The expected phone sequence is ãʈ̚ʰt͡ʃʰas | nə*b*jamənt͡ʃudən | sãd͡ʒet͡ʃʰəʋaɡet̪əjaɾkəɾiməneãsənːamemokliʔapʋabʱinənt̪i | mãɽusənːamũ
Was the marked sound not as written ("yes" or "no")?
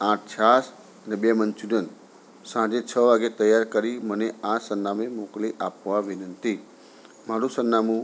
no